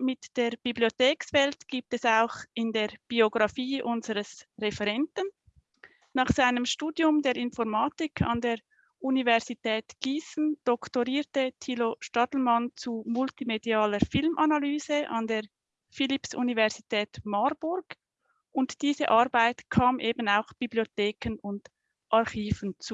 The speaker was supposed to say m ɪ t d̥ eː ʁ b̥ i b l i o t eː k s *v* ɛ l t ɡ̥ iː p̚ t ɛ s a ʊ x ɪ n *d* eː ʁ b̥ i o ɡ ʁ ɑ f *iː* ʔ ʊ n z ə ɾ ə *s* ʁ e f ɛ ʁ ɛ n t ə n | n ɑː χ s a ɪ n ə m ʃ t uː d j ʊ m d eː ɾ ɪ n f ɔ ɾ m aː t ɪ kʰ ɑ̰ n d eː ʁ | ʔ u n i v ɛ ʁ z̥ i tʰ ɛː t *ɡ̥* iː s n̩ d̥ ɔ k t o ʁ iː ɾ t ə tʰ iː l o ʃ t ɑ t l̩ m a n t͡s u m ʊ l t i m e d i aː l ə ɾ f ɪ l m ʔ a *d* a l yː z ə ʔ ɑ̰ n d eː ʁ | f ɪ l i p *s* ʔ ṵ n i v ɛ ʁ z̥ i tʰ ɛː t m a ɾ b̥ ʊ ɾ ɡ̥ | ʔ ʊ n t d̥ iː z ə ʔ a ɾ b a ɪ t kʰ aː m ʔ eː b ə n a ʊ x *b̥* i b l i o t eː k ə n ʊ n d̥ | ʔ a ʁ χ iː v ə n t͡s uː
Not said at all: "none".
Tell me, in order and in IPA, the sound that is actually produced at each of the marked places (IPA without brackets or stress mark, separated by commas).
v, d, iː, s, ɡ̥, n, s, b̥